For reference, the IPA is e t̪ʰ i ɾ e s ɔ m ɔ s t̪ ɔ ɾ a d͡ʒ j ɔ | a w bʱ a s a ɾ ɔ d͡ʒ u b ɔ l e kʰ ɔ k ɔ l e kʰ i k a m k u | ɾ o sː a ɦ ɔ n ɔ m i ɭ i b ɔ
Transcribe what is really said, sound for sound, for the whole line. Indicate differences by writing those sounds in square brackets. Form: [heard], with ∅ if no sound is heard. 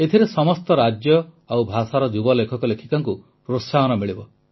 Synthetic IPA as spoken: e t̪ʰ i ɾ e s ɔ m ɔ s t̪ ɔ ɾ a d͡ʒ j ɔ | a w bʱ a s a ɾ ɔ d͡ʒ u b ɔ l e kʰ ɔ k ɔ l e kʰ i k a [ŋ] k u | ɾ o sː a ɦ ɔ n ɔ m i ɭ i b ɔ

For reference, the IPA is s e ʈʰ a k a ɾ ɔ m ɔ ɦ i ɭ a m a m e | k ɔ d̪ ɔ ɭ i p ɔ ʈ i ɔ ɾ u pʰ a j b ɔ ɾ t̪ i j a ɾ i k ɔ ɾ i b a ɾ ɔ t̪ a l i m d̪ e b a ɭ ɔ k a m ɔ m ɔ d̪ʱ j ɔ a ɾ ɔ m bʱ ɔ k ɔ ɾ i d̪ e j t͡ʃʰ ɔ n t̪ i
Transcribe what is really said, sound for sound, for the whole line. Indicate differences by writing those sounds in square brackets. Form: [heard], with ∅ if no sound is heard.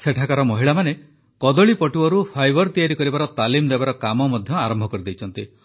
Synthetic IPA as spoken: s e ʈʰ a k a ɾ ɔ m ɔ ɦ i ɭ a m a [n] e | k ɔ d̪ ɔ ɭ i p ɔ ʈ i ɔ ɾ u pʰ a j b ɔ ɾ t̪ i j a ɾ i k ɔ ɾ i b a ɾ ɔ t̪ a l i m d̪ e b a [ɾ] ɔ k a m ɔ m ɔ d̪ʱ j ɔ a ɾ ɔ m bʱ ɔ k ɔ ɾ i d̪ e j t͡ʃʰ ɔ n t̪ i

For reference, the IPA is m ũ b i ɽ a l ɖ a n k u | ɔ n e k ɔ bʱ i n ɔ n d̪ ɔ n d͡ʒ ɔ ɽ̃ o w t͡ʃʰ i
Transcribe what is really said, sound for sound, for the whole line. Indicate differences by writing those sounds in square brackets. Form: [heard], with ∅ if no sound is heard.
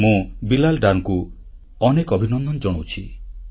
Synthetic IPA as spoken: m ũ b i [l] a l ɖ a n k u | ɔ n e k ɔ bʱ i n ɔ n d̪ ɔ n d͡ʒ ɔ ɽ̃ o w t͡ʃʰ i

